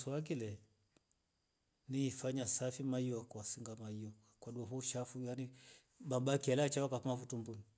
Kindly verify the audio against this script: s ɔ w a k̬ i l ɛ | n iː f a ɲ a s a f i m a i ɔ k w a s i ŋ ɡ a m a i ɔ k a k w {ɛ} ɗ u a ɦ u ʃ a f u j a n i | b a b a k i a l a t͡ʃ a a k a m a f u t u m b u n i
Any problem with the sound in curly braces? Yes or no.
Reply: yes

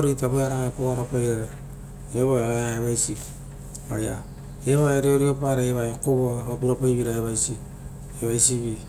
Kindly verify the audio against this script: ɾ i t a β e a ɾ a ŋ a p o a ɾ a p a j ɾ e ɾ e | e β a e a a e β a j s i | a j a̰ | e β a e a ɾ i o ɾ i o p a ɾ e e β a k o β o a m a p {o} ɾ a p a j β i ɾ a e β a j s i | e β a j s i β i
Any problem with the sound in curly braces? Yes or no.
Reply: yes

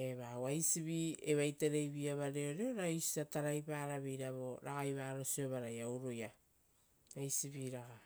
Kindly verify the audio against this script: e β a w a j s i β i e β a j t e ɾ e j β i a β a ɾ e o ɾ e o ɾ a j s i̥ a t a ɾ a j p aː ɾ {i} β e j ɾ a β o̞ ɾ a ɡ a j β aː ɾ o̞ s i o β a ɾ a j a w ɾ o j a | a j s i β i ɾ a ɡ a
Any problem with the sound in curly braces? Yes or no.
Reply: yes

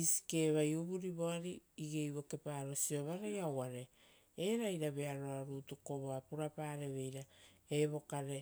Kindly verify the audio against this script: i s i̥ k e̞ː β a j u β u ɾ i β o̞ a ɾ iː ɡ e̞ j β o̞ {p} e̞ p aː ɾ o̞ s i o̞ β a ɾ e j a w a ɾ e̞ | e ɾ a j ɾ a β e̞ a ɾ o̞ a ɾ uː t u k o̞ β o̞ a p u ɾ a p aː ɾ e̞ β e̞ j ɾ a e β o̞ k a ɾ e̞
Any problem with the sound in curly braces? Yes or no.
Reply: yes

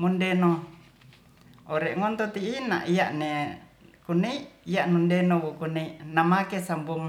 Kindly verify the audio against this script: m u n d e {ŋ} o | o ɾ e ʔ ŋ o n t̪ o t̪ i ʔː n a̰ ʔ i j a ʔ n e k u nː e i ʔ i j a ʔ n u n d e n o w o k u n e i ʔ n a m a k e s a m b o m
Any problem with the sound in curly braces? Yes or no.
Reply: yes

